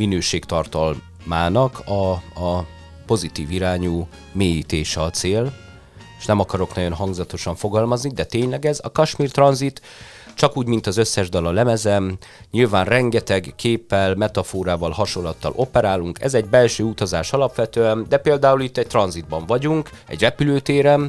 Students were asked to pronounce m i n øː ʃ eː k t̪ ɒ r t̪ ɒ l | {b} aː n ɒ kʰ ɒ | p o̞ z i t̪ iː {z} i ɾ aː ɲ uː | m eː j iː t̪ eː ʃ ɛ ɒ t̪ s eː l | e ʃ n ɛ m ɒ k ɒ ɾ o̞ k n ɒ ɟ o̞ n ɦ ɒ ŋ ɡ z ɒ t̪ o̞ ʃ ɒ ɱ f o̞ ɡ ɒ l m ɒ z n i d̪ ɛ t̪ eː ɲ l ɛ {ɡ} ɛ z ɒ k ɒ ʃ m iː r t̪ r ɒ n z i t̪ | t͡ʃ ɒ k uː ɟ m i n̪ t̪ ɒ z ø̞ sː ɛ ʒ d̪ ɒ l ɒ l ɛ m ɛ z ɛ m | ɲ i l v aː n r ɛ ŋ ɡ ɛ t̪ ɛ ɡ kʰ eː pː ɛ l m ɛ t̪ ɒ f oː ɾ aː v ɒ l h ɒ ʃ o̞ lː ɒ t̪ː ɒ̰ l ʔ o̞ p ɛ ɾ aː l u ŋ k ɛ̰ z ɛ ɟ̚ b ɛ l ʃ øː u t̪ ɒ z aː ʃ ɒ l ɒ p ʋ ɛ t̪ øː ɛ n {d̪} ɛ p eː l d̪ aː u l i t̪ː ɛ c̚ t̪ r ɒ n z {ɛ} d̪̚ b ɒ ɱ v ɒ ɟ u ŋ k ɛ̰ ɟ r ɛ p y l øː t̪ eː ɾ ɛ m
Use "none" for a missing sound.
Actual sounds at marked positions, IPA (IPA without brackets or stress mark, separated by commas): m, v, ɡ, d̪, i